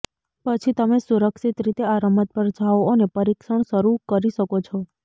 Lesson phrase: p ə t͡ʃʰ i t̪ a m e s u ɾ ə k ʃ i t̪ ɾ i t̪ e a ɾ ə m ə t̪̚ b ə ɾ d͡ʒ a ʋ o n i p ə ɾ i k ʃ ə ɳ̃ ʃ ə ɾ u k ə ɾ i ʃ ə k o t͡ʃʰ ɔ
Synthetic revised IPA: p ə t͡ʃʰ i t̪ ə m e s u ɾ ə k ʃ i t̪ ɾ i t̪ e a ɾ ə m ə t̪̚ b ə ɾ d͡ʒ a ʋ o n e p ə ɾ i k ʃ ə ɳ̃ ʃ ə ɾ u k ə ɾ i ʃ ə k o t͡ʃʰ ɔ